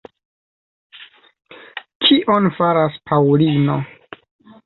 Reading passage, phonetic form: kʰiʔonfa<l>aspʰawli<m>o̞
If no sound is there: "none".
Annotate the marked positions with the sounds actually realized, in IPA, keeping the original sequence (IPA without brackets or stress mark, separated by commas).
ɾ, n